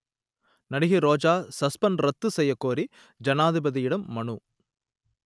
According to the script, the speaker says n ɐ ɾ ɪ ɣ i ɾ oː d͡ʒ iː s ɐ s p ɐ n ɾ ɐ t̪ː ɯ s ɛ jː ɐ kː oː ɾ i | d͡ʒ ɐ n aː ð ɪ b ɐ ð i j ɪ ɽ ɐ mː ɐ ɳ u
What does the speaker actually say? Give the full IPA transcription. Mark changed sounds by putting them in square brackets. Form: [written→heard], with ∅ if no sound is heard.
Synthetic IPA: n ɐ [ɾ→ɽ] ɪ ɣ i ɾ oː d͡ʒ [iː→aː] s ɐ s p ɐ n ɾ ɐ t̪ː ɯ s ɛ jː ɐ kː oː ɾ i | d͡ʒ ɐ n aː ð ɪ b ɐ ð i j ɪ ɽ ɐ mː ɐ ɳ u